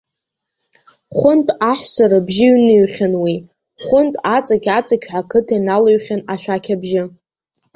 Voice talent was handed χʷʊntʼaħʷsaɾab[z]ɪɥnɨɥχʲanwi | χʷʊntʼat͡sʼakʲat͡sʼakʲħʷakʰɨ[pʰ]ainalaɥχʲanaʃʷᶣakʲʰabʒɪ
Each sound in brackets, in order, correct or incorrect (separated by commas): incorrect, incorrect